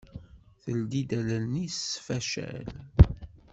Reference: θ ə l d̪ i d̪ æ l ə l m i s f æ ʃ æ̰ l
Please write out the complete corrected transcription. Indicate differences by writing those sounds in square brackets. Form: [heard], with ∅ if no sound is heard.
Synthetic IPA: θ ə l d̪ i d̪ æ l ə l [n] i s f æ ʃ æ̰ l